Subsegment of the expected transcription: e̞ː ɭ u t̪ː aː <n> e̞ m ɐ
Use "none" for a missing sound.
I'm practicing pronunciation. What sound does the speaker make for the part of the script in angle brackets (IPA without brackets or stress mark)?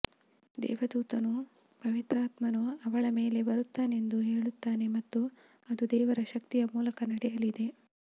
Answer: n